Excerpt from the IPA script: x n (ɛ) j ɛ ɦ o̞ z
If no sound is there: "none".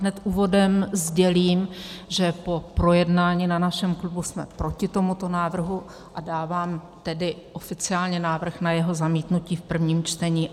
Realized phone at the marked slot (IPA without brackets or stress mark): a